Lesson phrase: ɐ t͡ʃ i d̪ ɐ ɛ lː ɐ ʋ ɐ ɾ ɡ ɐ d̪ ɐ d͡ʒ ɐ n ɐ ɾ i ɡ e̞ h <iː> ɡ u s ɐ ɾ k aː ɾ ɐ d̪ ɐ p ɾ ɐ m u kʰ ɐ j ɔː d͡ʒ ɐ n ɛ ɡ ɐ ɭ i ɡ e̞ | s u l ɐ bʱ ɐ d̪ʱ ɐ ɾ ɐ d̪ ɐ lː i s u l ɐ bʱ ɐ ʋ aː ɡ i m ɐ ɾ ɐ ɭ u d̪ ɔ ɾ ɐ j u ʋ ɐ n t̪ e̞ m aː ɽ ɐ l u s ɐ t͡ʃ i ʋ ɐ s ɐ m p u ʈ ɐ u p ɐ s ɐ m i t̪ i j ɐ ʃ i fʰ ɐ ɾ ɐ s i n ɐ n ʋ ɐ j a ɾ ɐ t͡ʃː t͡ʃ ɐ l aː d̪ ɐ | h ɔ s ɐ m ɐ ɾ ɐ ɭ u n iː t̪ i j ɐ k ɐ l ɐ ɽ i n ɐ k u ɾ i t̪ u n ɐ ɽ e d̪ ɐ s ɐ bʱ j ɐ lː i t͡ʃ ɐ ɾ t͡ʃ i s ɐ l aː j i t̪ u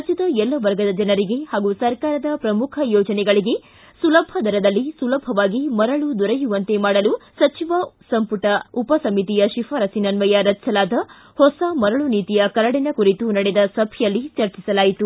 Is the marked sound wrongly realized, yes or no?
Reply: yes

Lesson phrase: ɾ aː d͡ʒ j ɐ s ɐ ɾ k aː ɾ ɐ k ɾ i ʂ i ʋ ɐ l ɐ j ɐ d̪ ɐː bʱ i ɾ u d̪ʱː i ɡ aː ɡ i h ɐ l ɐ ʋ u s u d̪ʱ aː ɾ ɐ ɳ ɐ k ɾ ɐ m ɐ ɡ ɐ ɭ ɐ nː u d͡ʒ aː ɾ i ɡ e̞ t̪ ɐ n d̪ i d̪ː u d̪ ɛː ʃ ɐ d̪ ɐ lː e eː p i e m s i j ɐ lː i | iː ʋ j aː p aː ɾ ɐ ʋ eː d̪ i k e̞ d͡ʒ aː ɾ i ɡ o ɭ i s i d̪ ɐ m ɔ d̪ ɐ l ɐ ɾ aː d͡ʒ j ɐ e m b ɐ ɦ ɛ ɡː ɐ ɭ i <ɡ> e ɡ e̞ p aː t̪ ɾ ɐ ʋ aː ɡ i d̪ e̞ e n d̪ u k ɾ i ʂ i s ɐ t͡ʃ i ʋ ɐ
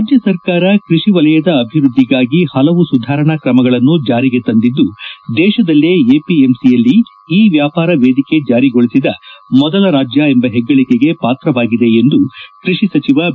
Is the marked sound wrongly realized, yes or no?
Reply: yes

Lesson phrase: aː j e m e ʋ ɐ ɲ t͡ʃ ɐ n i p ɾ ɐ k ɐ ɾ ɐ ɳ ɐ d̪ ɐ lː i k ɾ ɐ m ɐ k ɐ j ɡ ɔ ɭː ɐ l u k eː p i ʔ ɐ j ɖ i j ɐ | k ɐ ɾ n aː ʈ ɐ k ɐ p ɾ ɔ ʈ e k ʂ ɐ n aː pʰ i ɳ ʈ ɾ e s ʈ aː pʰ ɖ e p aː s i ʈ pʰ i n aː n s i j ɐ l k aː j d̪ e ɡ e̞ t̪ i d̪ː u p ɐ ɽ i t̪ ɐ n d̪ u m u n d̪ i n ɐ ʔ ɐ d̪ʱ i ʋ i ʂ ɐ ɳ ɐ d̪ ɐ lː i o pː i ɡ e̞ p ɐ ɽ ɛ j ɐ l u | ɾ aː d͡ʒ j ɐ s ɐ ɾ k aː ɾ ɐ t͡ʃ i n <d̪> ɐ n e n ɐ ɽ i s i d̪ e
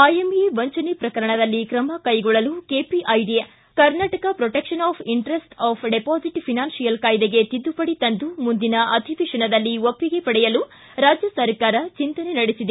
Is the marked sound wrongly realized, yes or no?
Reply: yes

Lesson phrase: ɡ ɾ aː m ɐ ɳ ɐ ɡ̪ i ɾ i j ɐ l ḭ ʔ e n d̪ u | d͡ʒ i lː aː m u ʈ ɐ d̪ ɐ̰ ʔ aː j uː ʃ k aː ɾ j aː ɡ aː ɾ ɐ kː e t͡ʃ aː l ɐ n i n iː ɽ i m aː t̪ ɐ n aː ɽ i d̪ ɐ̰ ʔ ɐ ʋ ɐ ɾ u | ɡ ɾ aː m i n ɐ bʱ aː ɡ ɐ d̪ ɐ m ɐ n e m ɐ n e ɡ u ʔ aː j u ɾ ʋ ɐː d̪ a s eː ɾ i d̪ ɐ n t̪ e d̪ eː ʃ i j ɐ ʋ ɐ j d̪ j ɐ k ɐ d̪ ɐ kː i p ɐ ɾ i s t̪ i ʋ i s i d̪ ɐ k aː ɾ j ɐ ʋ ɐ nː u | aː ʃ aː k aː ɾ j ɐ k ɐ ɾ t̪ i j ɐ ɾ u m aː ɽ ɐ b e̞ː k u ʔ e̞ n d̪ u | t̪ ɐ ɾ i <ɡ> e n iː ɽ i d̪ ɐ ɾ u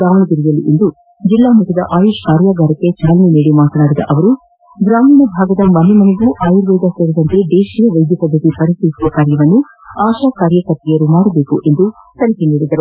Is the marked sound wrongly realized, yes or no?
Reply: yes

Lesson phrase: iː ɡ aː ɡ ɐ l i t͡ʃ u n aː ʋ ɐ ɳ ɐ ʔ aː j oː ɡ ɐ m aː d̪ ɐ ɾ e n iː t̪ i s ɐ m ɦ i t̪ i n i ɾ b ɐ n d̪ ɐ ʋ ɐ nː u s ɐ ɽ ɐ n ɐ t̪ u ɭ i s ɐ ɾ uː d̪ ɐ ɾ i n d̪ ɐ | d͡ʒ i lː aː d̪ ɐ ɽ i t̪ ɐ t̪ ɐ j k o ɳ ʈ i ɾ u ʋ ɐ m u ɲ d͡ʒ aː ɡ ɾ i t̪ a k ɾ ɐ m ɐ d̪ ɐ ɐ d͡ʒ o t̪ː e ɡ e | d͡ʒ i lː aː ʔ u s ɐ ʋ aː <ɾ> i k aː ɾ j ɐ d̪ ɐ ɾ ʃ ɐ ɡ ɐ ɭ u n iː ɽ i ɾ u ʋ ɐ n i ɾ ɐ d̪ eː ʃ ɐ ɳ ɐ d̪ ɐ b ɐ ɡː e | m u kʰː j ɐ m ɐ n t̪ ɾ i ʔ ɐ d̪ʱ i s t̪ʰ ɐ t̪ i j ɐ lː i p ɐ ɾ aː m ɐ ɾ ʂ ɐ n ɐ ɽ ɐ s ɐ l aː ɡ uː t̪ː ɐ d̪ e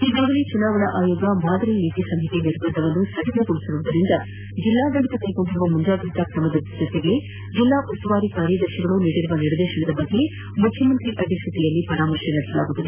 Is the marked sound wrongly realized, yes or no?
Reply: no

